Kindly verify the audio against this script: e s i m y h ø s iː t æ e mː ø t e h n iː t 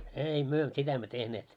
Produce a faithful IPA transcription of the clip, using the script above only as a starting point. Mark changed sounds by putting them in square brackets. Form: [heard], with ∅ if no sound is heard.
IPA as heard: e [∅] i m y [∅] ø s [i] t æ e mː ø t e h n [eː] t